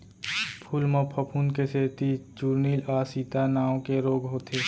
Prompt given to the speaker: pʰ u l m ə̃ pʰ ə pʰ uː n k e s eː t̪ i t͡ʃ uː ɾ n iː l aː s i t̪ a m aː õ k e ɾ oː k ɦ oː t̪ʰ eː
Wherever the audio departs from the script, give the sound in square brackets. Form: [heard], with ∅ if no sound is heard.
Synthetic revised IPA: pʰ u l m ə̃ pʰ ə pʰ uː n k e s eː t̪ i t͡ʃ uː ɾ n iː l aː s i t̪ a [n] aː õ k e ɾ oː [ɡ] ɦ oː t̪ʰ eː